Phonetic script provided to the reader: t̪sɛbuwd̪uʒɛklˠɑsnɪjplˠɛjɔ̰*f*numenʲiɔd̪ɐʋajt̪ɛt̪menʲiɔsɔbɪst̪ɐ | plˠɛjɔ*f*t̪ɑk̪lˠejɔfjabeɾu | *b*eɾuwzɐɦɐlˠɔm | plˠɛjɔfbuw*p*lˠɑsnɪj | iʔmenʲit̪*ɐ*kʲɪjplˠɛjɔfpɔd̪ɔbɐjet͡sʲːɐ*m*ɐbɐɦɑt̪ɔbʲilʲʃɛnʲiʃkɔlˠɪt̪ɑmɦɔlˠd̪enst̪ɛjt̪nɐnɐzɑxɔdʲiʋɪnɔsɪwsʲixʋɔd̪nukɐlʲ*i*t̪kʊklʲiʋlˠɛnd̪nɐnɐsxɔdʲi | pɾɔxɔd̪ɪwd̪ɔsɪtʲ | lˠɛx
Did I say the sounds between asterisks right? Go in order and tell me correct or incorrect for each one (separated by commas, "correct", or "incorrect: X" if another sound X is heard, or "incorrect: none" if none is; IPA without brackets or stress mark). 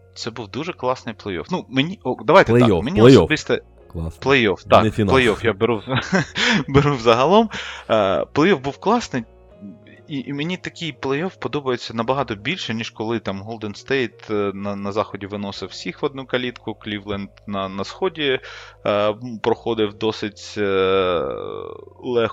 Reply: correct, correct, correct, incorrect: k, correct, incorrect: n, correct